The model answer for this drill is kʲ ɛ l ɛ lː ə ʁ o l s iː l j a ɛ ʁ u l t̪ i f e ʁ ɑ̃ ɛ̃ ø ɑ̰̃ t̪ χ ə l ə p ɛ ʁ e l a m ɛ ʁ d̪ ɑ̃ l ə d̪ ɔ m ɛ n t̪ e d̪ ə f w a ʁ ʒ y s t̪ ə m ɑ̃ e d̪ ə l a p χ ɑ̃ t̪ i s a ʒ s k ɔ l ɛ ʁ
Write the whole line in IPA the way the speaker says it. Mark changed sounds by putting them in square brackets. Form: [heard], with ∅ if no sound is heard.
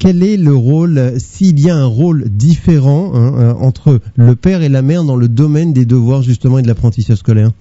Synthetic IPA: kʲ ɛ l ɛ [l] ə ʁ o l s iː l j a [ɛ̃] ʁ [o] l [d̪] i f e ʁ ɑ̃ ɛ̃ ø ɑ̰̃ t̪ χ ə l ə p ɛ ʁ e l a m ɛ ʁ d̪ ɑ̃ l ə d̪ ɔ m ɛ n [d̪] e d̪ ə [v] w a ʁ ʒ y s t̪ ə m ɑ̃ e d̪ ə l a p χ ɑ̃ t̪ i s a ʒ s k ɔ l ɛ ʁ